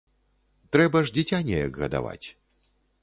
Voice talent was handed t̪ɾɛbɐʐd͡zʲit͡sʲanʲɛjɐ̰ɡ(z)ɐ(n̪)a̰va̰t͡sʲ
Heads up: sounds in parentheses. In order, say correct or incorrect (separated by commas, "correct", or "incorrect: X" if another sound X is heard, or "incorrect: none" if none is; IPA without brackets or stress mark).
incorrect: ɣ, incorrect: d̪